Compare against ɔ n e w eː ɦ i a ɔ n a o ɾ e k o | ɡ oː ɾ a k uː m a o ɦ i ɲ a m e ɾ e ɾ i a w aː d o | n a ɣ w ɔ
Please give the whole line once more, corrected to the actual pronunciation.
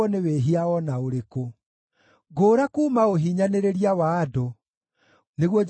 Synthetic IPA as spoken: ɔ n e w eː ɦ i a ɔ n a o ɾ e k o | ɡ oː ɾ a k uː m a o ɦ i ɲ a n e ɾ e ɾ i a w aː d o | n e ɣ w ɔ